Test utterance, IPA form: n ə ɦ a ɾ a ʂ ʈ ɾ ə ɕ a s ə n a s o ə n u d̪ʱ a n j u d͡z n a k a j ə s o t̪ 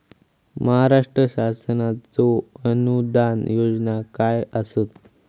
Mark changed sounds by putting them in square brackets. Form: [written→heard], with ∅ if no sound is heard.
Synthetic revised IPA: [n→m] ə ɦ a ɾ a ʂ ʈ ɾ ə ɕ a s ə n a [s→t͡s] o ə n u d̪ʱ a n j [u→o] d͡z n a k a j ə s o t̪